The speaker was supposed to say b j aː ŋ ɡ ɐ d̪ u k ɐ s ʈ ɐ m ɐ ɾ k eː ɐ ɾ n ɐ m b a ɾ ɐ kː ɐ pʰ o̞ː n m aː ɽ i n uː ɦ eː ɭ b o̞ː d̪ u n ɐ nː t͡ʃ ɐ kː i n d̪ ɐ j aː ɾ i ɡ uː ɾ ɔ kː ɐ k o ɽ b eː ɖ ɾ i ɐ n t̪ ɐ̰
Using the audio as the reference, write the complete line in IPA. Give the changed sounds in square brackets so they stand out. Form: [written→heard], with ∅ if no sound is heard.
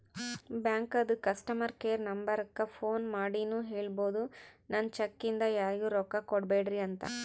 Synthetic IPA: b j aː ŋ [ɡ→k] ɐ d̪ u k ɐ s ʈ ɐ m ɐ ɾ k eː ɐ ɾ n ɐ m b [a→ɐ] ɾ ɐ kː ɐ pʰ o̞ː n m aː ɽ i n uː ɦ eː ɭ b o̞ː d̪ u n ɐ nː t͡ʃ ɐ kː i n d̪ ɐ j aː ɾ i ɡ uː ɾ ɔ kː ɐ k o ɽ b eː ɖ ɾ i ɐ n t̪ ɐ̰